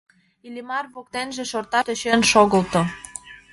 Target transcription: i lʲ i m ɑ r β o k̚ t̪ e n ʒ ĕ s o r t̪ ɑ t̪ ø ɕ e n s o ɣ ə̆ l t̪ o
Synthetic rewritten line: i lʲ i m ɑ r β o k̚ t̪ e n ʒ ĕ ʃ o r t̪ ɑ t̪ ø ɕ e n ʃ o ɣ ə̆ l t̪ o